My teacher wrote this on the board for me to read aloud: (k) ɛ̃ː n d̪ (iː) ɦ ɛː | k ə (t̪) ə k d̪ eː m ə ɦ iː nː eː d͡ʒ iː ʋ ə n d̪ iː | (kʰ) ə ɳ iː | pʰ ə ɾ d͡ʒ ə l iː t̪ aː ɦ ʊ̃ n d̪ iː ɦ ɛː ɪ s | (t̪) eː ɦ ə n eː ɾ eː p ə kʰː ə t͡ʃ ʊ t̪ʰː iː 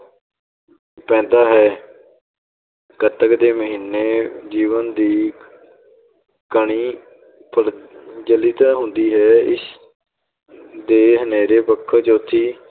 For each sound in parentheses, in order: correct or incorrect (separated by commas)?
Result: incorrect, incorrect, correct, incorrect, incorrect